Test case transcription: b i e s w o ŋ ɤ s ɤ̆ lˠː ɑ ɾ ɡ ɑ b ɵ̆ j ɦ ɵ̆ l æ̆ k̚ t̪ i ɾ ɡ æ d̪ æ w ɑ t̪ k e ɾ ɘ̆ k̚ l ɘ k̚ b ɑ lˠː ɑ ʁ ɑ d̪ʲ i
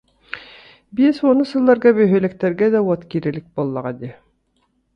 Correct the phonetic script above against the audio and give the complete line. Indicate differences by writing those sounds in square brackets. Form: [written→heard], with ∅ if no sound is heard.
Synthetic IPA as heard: b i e s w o [ŋ→n] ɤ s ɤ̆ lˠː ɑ ɾ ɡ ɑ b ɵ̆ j ɦ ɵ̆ l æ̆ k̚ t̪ [i→æ] ɾ ɡ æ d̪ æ w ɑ t̪ k [e→i] ɾ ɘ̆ [k̚→∅] l ɘ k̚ b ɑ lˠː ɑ ʁ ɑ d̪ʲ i